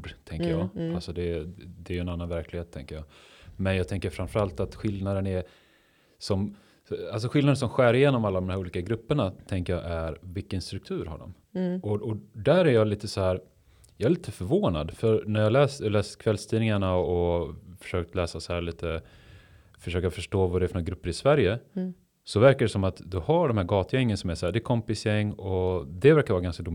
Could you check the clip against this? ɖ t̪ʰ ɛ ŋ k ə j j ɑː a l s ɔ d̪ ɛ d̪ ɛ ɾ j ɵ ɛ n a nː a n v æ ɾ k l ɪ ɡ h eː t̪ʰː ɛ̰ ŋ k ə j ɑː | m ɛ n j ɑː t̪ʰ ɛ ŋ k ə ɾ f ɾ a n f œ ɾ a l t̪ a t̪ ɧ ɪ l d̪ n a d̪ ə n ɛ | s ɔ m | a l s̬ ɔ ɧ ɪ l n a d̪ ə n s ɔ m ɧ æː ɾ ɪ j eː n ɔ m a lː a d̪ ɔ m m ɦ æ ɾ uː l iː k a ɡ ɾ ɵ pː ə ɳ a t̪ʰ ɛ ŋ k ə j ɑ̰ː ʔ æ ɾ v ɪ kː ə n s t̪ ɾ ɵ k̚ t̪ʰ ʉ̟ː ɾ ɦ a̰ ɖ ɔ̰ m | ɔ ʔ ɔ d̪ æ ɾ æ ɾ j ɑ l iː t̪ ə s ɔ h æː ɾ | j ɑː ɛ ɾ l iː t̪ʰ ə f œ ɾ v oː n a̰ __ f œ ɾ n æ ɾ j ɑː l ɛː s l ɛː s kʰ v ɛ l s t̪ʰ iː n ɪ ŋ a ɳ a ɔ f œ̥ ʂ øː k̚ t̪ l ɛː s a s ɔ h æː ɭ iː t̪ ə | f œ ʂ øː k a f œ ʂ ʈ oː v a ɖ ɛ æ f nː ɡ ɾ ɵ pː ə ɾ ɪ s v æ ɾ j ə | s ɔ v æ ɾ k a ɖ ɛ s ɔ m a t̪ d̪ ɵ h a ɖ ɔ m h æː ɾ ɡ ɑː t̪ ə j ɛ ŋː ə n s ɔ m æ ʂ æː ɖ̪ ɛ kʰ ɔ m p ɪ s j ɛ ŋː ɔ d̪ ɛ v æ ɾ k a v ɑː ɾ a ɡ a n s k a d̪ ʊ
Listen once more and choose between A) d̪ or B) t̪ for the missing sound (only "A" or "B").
A